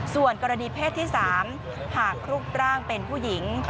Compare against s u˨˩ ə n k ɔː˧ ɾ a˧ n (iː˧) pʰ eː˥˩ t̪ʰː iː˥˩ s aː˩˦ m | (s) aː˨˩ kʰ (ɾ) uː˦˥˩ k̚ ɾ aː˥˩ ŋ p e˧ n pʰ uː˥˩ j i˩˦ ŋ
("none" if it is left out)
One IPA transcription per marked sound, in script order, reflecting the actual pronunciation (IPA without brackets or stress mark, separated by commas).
iː˧, h, ɾ